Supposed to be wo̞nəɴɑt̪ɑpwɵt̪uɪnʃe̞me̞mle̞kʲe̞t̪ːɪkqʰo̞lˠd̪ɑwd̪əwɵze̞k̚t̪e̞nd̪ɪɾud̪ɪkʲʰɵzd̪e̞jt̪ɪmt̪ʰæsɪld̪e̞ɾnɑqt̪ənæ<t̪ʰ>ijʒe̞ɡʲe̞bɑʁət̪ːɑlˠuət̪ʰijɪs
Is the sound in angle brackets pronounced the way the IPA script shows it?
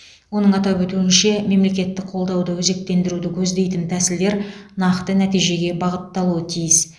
no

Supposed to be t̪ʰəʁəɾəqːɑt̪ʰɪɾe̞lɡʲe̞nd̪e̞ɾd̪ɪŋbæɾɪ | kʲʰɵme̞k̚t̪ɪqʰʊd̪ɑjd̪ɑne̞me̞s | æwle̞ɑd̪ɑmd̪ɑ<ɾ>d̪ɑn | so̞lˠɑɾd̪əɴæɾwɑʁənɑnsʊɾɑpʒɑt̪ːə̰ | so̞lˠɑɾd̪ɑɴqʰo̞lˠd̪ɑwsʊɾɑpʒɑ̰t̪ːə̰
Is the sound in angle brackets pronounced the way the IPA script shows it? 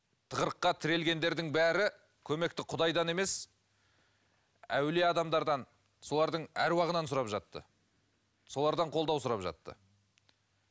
yes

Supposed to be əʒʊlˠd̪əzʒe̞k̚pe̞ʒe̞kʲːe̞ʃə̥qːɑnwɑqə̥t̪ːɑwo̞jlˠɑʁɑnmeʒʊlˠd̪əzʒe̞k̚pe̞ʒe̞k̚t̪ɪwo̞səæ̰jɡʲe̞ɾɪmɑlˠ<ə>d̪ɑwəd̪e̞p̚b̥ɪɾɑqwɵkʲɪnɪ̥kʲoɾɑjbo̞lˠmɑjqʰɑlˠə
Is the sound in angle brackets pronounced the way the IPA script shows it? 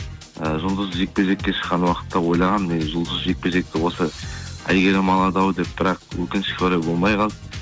no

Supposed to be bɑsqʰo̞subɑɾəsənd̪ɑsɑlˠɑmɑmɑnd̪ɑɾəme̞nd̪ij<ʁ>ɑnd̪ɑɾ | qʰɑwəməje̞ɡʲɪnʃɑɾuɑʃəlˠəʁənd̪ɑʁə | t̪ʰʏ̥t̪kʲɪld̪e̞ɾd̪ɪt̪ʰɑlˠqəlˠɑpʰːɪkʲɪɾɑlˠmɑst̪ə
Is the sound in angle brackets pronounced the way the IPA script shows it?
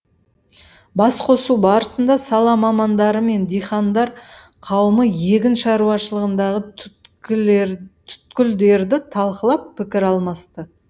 no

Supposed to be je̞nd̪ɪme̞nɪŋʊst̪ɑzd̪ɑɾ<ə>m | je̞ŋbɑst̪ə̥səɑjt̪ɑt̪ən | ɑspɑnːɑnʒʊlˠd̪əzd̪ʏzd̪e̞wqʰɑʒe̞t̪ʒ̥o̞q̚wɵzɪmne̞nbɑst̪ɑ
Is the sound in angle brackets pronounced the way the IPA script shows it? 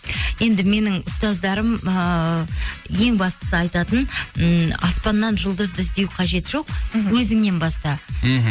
yes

